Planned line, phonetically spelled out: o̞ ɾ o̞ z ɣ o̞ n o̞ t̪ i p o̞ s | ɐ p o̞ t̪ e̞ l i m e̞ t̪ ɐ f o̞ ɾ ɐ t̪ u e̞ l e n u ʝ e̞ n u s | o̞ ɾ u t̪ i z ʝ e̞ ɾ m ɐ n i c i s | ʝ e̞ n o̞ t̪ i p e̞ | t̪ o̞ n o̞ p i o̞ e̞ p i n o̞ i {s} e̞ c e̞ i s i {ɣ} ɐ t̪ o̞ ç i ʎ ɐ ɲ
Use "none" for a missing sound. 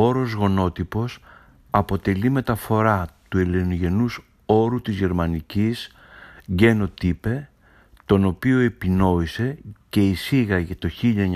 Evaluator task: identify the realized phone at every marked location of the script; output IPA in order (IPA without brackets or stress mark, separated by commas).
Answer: s, ɣ